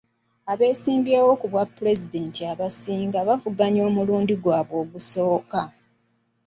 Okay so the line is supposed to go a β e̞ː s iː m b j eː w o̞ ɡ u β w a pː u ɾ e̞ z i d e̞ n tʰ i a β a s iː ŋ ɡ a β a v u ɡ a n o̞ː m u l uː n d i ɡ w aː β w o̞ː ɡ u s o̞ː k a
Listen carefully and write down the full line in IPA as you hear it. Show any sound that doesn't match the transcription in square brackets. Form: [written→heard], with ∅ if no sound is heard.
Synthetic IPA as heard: a β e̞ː s iː m b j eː w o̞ [ɡ→k] u β w a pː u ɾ e̞ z i d e̞ n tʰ i a β a s iː ŋ ɡ a β a v u ɡ a [n→ɲ] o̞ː m u l uː n d i ɡ w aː β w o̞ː ɡ u s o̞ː k a